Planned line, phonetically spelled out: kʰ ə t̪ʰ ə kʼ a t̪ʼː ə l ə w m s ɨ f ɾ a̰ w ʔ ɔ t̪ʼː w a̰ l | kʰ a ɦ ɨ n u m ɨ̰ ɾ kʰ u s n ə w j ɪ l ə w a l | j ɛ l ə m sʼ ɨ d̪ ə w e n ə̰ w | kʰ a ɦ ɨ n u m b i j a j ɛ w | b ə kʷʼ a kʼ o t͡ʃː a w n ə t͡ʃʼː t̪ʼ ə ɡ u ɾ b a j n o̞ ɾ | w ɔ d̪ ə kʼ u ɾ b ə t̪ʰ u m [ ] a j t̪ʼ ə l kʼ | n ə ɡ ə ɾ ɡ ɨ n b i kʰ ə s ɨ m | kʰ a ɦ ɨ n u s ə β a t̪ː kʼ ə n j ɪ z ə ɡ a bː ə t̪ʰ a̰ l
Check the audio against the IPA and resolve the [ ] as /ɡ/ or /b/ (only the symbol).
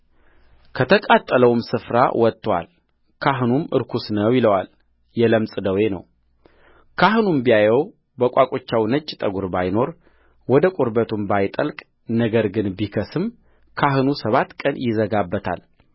b